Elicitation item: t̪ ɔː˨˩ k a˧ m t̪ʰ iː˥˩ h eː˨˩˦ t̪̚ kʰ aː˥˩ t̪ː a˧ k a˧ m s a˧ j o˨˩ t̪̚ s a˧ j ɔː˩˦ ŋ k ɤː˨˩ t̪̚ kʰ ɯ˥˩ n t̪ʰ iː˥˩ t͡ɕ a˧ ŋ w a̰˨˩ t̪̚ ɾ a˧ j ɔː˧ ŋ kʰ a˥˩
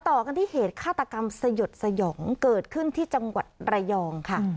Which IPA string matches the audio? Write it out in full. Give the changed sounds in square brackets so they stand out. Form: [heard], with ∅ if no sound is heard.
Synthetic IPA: t̪ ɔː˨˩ k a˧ [n] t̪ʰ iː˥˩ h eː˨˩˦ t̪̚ kʰ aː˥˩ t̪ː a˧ k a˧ m s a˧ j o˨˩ t̪̚ s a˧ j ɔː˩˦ ŋ k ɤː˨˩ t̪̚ kʰ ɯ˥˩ n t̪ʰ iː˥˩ t͡ɕ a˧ ŋ w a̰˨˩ t̪̚ ɾ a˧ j ɔː˧ ŋ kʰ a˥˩